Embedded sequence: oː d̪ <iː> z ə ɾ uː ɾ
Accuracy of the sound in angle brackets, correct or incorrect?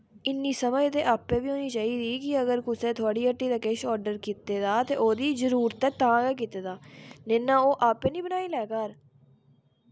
correct